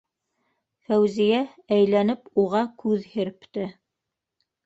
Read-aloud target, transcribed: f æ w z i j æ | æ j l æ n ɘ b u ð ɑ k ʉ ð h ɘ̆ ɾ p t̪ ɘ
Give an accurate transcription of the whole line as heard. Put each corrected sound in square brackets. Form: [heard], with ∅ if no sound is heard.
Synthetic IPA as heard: f æ w z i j æ | æ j l æ n ɘ [p] u [ʁ] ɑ k ʉ ð h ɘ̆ ɾ p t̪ ɘ

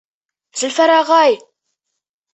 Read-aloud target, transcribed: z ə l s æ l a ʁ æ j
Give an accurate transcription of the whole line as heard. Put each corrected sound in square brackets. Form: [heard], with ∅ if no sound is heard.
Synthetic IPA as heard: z ə l [f] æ [ɾ] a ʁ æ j

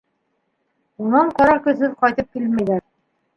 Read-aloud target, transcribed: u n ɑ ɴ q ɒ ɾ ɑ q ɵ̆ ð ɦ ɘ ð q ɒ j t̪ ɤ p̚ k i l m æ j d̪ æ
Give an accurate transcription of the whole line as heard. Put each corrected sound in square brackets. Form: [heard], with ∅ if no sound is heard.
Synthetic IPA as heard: u n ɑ ɴ q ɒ ɾ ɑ [k] ɵ̆ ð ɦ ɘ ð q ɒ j t̪ ɤ p̚ k i l m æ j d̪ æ

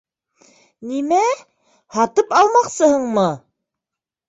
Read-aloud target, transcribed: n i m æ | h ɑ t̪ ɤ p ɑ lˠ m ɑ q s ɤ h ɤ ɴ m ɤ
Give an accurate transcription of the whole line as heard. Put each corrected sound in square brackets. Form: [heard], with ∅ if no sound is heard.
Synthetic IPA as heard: n i m æ | h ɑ t̪ ɤ p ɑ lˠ m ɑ q s ɤ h ɤ ɴ m ɤ

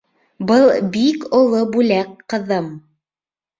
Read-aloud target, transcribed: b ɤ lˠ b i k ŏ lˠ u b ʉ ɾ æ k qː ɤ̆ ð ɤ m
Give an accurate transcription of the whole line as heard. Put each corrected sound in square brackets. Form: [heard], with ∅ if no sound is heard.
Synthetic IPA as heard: b ɤ lˠ b i k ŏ lˠ [o] b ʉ [l] æ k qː ɤ̆ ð ɤ m

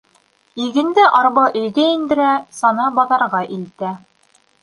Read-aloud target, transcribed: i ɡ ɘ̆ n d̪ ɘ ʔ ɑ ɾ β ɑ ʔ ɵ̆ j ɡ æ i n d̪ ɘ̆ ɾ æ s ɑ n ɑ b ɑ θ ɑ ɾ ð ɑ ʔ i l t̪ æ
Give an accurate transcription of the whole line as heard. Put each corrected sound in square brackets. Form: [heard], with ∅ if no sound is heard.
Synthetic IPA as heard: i ɡ ɘ̆ n d̪ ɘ ʔ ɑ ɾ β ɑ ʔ ɵ̆ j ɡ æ i n d̪ ɘ̆ ɾ æ s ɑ n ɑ b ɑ [ð] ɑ ɾ [ʁ] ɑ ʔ i l t̪ æ

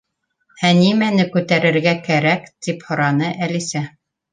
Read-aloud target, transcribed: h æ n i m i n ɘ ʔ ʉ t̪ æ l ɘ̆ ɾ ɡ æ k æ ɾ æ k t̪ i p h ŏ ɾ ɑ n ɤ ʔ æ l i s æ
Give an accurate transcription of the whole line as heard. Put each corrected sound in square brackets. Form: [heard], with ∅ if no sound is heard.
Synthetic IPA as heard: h æ n i m [æ] n ɘ [k] ʉ t̪ æ [ɾ] ɘ̆ ɾ ɡ æ k æ ɾ æ k t̪ i p h ŏ ɾ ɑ n ɤ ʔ æ l i s æ

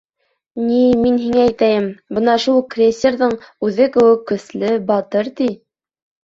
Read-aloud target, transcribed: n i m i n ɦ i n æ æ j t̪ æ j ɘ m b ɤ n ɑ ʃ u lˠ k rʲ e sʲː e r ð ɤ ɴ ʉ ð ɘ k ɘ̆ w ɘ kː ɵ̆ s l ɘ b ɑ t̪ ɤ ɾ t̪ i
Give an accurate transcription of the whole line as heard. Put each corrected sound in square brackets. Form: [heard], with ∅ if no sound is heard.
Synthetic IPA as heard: n i m i n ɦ i [ŋ] æ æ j t̪ æ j ɘ m b ɤ n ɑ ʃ u lˠ k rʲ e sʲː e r ð ɤ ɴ ʉ ð ɘ k ɘ̆ w ɘ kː ɵ̆ s l ɘ b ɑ t̪ ɤ ɾ t̪ i

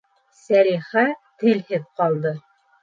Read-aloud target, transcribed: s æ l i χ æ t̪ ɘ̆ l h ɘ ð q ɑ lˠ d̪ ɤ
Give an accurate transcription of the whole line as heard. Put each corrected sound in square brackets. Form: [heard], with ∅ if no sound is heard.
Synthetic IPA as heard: s æ [ɾ] i χ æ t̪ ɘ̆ l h ɘ ð q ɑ lˠ d̪ ɤ

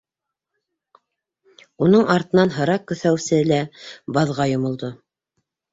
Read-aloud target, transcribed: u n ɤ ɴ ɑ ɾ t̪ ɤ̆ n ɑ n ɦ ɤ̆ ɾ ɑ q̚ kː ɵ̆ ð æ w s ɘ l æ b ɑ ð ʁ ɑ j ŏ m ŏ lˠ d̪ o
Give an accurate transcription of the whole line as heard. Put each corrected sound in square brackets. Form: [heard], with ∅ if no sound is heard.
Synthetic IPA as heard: u n ɤ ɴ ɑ ɾ t̪ ɤ̆ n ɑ n ɦ ɤ̆ ɾ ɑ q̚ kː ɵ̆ [θ] æ w s ɘ l æ b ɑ ð ʁ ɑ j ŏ m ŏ lˠ d̪ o

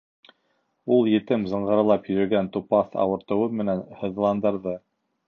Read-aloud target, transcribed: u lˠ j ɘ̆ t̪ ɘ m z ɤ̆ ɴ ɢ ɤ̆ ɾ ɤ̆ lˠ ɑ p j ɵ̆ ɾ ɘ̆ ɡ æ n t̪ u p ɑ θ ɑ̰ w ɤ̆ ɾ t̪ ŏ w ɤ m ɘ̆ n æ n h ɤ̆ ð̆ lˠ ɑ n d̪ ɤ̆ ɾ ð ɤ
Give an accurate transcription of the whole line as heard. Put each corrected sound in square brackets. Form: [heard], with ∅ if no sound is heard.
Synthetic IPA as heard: u lˠ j ɘ̆ t̪ ɘ m z ɤ̆ ɴ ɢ ɤ̆ ɾ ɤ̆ lˠ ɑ p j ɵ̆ ɾ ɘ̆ ɡ æ n t̪ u p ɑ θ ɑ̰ w ɤ̆ ɾ t̪ [ɤ̆] w ɤ m ɘ̆ n æ n h ɤ̆ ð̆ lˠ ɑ n d̪ ɤ̆ ɾ ð ɤ

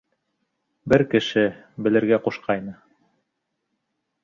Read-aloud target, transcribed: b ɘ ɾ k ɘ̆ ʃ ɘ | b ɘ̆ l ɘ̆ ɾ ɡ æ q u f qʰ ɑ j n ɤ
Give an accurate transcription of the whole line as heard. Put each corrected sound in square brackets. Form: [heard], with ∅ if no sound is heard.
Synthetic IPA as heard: b ɘ ɾ k ɘ̆ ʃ ɘ | b ɘ̆ l ɘ̆ ɾ ɡ æ q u [ʃ] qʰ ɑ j n ɤ

